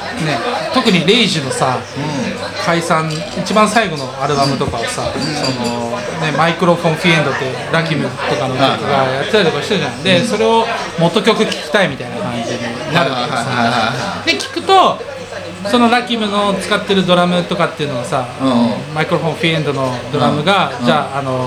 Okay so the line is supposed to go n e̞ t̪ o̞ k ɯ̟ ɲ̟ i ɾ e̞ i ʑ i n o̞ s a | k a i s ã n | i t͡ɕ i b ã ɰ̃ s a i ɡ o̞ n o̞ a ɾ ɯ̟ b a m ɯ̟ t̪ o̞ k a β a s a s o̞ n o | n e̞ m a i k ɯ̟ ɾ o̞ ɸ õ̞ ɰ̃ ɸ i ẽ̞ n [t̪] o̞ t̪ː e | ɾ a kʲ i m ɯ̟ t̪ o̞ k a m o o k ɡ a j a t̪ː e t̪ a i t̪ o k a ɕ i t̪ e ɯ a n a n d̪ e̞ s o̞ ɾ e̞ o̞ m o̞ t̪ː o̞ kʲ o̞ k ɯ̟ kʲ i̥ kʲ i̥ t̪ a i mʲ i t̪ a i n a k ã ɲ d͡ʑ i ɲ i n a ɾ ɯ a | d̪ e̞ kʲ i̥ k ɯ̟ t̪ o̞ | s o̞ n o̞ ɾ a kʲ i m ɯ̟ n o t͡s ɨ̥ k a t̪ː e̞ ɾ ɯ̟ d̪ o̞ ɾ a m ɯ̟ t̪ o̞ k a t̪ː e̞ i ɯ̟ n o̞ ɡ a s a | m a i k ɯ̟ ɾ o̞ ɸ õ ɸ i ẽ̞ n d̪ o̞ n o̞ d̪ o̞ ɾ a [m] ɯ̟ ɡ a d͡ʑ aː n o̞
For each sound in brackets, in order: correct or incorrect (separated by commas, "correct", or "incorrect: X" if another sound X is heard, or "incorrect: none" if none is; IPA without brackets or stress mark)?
incorrect: d̪, correct